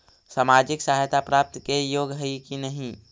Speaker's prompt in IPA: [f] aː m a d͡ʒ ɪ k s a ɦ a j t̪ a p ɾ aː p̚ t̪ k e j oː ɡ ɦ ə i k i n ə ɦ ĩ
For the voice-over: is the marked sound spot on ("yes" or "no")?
no